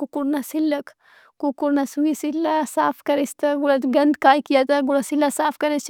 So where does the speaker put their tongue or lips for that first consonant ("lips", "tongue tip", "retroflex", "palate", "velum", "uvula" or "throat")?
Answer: velum